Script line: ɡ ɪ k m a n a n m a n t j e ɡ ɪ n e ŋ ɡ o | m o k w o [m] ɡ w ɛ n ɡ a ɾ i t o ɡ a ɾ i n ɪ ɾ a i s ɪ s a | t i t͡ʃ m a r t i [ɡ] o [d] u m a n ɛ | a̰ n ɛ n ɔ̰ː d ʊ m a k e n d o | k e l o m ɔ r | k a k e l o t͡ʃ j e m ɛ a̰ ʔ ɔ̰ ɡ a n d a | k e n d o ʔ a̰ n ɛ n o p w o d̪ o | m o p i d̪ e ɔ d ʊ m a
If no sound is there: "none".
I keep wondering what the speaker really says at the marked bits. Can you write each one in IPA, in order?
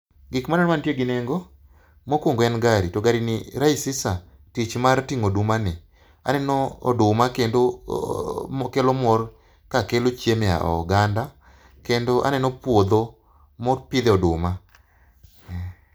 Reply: ŋ, ŋ, d

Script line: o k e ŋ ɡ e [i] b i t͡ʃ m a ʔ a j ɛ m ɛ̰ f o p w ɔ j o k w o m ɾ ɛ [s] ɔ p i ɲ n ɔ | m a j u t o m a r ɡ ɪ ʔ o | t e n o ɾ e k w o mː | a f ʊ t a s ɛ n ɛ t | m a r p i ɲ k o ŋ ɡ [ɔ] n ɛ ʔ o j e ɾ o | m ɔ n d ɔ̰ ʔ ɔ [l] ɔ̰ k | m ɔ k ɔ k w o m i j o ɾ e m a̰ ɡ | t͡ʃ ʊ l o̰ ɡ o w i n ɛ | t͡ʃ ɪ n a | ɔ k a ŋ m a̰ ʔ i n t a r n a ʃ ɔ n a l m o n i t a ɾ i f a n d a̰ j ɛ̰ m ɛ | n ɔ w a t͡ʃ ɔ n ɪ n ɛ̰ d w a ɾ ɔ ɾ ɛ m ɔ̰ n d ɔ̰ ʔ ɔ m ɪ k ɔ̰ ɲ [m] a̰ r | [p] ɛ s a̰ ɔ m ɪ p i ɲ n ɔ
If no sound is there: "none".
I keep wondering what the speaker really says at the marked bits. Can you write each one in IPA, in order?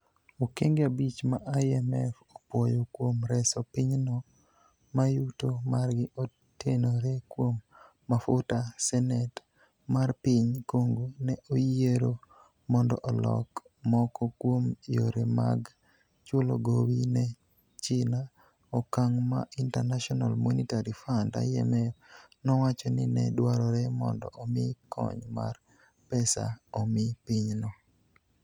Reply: a, s, o, l, m, p

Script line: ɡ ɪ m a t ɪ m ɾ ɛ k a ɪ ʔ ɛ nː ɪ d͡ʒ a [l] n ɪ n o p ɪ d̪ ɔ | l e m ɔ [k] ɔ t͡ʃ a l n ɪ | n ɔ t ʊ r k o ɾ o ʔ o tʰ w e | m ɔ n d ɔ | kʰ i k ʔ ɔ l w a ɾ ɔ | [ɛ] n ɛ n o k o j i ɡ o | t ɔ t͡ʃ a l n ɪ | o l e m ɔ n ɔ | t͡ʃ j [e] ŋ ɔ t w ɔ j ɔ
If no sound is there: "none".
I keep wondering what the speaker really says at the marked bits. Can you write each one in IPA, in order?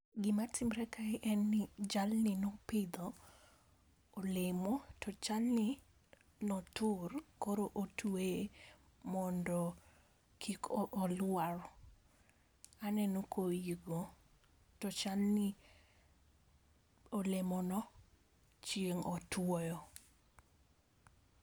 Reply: l, t, a, e

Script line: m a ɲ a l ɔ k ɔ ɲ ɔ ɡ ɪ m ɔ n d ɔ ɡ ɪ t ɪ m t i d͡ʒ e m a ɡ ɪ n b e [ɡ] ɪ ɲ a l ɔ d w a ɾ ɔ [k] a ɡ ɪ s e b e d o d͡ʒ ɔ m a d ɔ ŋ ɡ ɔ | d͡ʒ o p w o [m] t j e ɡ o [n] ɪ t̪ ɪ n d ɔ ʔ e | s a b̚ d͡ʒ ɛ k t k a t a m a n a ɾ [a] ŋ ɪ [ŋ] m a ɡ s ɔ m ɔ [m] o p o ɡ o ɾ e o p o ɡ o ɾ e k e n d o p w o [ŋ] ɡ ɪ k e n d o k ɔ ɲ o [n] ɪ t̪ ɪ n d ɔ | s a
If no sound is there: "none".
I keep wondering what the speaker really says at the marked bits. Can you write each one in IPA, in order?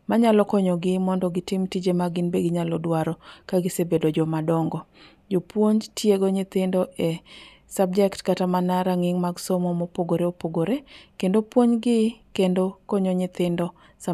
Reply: ɡ, k, ɲ, ɲ, a, ŋ, m, ɲ, ɲ

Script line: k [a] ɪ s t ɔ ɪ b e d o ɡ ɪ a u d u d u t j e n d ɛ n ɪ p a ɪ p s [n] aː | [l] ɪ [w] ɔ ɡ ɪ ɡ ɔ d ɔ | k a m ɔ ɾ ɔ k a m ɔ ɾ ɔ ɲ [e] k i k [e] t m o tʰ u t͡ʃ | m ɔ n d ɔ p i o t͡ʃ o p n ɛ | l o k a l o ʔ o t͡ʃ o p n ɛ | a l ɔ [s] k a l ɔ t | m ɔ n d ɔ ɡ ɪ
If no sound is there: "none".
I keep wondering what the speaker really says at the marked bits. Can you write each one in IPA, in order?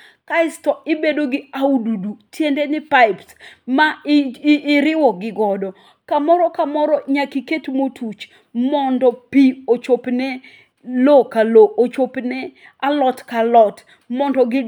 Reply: a, m, ɾ, w, a, e, t

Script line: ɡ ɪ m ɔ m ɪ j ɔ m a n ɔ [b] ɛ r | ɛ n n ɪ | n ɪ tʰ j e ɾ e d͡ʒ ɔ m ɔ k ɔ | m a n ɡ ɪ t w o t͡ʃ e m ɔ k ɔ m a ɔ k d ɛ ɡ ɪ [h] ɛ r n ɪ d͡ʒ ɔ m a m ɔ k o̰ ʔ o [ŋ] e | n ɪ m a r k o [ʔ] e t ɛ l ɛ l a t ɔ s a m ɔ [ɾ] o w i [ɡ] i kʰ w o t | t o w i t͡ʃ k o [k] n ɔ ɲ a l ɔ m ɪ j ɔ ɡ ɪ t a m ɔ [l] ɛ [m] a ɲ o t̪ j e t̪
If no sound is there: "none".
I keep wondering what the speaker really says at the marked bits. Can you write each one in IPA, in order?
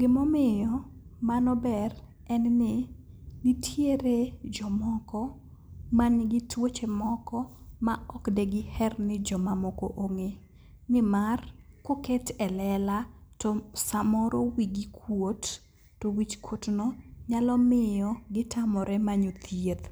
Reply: b, h, ŋ, k, ɾ, ɡ, t, ɾ, m

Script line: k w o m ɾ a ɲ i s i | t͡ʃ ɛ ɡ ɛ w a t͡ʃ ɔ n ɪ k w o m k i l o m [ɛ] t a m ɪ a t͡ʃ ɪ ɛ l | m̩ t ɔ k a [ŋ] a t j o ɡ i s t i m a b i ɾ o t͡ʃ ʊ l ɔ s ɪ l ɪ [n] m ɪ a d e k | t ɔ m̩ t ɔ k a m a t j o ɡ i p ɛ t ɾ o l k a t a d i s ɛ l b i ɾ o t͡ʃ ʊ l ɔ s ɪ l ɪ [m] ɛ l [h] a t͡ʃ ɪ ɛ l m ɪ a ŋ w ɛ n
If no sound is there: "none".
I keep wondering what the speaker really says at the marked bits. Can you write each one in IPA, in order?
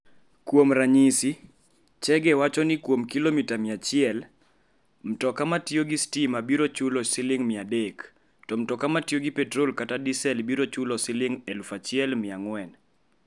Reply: i, m, ŋ, ŋ, f

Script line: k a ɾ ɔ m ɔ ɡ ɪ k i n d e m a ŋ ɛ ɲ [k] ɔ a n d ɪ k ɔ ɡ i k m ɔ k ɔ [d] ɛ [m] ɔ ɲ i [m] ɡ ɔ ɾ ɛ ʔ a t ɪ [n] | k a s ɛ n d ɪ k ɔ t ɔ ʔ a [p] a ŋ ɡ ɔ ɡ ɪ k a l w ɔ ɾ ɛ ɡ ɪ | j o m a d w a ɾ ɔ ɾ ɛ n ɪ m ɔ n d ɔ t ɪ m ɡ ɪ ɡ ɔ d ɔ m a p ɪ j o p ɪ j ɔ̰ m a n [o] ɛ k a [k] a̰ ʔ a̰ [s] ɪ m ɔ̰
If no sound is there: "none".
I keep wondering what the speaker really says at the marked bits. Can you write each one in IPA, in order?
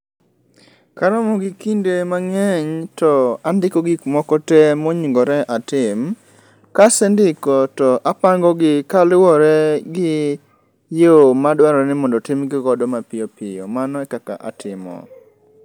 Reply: t, t, m, ŋ, m, p, ɔ, k, t

